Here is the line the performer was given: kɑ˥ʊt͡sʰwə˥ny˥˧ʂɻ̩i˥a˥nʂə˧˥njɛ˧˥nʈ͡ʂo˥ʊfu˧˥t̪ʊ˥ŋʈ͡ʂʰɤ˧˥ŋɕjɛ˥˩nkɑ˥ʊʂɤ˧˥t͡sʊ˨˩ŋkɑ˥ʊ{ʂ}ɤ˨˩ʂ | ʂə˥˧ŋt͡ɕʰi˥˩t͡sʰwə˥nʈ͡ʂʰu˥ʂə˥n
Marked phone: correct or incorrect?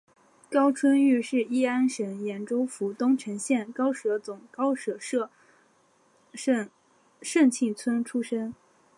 correct